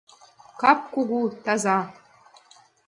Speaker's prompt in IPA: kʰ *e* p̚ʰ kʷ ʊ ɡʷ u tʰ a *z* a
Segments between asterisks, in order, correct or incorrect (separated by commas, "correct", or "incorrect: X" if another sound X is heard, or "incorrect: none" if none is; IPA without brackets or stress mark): incorrect: a, correct